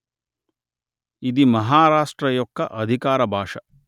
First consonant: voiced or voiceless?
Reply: voiced